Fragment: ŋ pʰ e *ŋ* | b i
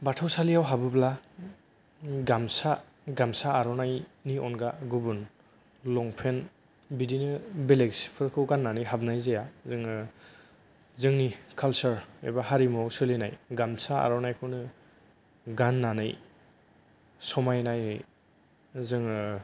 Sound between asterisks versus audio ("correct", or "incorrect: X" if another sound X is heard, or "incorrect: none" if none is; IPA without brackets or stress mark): incorrect: n